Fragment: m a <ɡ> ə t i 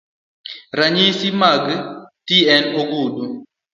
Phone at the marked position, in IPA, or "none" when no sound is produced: ɡ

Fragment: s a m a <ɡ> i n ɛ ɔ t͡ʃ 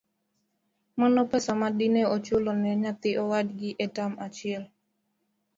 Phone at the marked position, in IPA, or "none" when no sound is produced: d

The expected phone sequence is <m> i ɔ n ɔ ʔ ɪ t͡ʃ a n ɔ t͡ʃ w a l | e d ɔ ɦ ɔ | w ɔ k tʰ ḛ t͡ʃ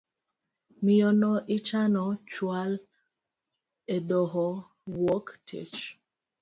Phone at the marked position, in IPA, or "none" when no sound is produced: m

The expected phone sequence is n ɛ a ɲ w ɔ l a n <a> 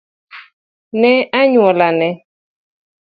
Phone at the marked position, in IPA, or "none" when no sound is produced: ɛ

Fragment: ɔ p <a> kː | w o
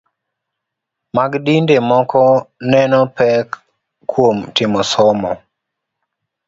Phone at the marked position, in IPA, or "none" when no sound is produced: ɛ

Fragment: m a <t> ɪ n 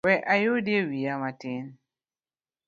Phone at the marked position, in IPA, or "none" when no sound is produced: t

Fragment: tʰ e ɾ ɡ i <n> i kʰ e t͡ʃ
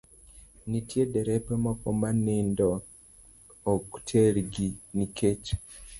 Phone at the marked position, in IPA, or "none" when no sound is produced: n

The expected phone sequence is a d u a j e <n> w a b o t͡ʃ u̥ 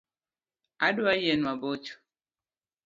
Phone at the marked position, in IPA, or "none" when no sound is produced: n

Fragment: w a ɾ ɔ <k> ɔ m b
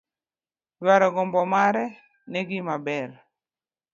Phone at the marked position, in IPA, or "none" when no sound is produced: ɡ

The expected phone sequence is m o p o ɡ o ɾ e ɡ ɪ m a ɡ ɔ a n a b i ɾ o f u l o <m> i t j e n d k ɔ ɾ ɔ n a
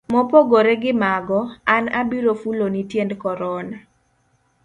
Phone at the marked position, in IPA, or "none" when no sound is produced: n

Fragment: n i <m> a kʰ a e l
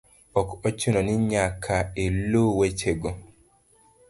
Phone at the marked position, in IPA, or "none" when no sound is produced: ɲ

